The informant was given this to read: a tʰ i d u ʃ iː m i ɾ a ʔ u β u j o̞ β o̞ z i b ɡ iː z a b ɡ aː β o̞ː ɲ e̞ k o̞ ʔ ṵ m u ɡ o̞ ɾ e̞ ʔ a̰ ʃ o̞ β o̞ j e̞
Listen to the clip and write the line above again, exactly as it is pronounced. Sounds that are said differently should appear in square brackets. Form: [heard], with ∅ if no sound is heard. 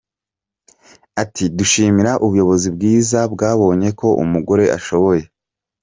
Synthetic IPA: a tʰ i d u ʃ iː m i ɾ a ʔ u β u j o̞ β o̞ z i b ɡ iː z a b ɡ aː β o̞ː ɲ e̞ k o̞ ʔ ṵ m u ɡ o̞ ɾ e̞ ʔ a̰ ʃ o̞ β o̞ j e̞